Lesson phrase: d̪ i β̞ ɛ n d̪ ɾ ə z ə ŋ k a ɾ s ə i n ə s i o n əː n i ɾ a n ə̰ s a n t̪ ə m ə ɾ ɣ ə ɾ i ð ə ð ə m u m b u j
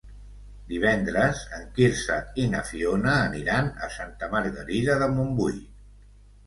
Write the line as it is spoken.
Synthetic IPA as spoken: d̪ i β̞ ɛ n d̪ ɾ ə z ə ŋ k i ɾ s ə i n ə f i o n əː n i ɾ a n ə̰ s a n t̪ ə m ə ɾ ɣ ə ɾ i ð ə ð ə m u m b u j